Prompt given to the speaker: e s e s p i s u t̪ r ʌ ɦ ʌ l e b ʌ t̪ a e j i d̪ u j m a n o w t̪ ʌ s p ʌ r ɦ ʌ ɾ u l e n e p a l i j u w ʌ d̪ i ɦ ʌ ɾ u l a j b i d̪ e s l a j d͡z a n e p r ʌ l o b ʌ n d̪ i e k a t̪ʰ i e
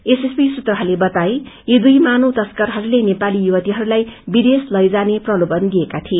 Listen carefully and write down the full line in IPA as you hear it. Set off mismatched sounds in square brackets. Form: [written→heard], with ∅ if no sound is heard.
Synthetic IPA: e s e s p i s u t̪ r ʌ ɦ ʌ l e b ʌ t̪ a e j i d̪ u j m a n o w t̪ ʌ s [p→k] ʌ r ɦ ʌ ɾ u l e n e p a l i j u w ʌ [d̪→t̪] i ɦ ʌ ɾ u l a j b i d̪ e s l [a→ʌ] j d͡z a n e p r ʌ l o b ʌ n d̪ i e k a t̪ʰ i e